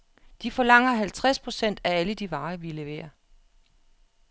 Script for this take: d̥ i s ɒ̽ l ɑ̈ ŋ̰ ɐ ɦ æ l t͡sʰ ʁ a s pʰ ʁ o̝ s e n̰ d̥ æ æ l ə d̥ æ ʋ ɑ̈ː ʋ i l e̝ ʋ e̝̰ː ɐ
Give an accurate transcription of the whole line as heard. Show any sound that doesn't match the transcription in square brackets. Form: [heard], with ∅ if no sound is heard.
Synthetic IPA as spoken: d̥ i [f] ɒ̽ l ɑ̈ ŋ̰ ɐ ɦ æ l t͡sʰ ʁ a s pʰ ʁ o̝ s e n̰ d̥ æ æ l ə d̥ [i] ʋ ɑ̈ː ʋ i l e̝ ʋ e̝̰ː ɐ